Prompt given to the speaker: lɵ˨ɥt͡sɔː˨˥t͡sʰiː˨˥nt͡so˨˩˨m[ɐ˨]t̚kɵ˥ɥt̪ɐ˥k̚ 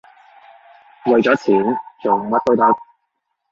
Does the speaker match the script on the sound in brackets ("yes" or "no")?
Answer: no